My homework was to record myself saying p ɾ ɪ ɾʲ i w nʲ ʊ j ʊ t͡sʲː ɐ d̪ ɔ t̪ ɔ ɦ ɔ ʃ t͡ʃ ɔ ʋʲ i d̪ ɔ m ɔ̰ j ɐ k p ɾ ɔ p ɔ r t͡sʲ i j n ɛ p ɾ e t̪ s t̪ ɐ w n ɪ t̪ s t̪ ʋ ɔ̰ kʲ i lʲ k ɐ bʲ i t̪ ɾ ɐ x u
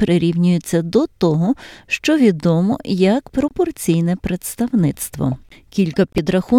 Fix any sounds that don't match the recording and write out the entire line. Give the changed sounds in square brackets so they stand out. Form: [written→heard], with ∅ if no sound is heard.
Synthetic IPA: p ɾ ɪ ɾʲ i w nʲ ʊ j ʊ t͡sʲː ɐ d̪ ɔ t̪ ɔ ɦ ɔ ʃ t͡ʃ ɔ ʋʲ i d̪ ɔ m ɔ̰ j ɐ k p ɾ ɔ p ɔ r t͡sʲ i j n ɛ p ɾ e t̪ s t̪ ɐ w n ɪ t̪ s t̪ ʋ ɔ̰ kʲ i lʲ k ɐ [bʲ→pʲ] i [t̪→d̪] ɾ ɐ x u